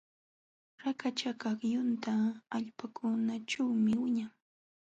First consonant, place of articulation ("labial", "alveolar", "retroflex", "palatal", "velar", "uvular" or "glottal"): alveolar